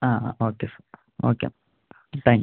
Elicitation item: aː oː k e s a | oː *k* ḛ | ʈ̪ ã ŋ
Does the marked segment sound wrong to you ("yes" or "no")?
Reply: no